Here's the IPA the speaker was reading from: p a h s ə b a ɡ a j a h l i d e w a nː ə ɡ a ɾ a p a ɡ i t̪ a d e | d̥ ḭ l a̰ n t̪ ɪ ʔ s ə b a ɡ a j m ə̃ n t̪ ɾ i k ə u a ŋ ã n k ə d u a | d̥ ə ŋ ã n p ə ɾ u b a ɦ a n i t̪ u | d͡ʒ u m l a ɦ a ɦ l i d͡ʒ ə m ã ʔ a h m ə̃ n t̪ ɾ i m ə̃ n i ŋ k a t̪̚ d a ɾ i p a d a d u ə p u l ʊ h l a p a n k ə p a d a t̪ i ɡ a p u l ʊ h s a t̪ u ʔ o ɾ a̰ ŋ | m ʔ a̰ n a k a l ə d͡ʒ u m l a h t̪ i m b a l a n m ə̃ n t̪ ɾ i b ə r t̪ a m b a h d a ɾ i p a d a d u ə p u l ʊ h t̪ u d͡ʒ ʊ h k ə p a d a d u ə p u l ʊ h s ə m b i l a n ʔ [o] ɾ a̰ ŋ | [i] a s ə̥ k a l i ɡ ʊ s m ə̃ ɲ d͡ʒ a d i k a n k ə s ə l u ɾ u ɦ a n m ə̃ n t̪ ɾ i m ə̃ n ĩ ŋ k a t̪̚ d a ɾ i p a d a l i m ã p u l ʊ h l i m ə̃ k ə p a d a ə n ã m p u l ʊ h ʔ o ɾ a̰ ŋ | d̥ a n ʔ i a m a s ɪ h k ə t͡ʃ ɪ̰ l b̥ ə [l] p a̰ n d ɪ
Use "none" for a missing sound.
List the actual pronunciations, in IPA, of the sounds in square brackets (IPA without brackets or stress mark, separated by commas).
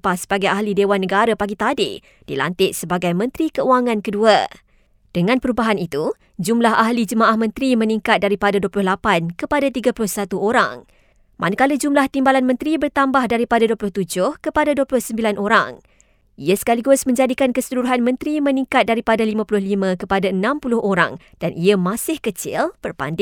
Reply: o, i, r